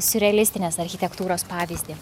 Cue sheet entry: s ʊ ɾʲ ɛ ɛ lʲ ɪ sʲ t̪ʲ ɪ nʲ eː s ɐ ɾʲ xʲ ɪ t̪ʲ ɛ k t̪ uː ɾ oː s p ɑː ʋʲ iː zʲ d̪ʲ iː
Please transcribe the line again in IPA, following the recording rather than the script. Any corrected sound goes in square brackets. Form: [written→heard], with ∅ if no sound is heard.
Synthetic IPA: s ʊ ɾʲ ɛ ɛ lʲ ɪ sʲ t̪ʲ ɪ nʲ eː s ɐ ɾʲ xʲ ɪ t̪ʲ ɛ k t̪ uː ɾ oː s p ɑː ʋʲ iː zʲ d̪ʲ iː